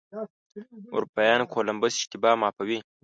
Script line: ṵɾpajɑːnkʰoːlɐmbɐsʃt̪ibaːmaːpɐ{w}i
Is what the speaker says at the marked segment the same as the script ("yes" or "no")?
yes